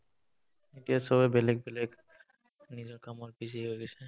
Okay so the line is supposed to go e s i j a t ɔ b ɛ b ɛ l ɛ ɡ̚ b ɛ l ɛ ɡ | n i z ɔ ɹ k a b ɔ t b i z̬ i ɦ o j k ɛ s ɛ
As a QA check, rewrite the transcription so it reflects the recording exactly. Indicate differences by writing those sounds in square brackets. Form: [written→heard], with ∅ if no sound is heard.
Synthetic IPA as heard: e [s→t] i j a [t→s] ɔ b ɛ b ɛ l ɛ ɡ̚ b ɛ l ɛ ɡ | n i z ɔ ɹ k a [b→m] ɔ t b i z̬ i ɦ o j [k→ɡ] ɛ s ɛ